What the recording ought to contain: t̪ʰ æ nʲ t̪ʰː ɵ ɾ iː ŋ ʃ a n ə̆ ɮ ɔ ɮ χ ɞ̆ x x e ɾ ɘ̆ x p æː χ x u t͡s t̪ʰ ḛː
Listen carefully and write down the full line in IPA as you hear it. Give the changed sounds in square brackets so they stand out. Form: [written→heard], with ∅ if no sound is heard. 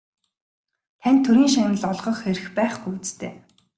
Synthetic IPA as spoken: t̪ʰ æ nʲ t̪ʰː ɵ ɾ iː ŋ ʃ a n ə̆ ɮ ɔ ɮ [χ→ʁ] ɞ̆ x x e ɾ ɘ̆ x p æː χ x u t͡s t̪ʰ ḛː